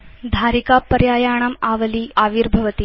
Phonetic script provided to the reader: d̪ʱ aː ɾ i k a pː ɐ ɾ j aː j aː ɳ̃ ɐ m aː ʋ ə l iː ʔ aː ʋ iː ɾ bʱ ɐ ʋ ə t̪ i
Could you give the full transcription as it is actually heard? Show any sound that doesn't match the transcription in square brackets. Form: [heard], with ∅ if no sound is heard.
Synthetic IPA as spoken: d̪ʱ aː ɾ i k a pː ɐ ɾ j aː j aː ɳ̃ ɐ m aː ʋ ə l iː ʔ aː ʋ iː ɾ bʱ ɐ ʋ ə t̪ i